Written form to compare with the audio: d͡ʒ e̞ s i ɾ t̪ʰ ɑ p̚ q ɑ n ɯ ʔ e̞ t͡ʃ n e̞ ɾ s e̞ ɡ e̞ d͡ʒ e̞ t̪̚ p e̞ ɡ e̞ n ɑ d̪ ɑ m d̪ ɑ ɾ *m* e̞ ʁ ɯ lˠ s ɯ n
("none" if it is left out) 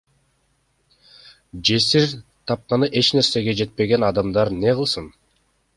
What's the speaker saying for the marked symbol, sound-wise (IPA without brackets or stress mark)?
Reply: n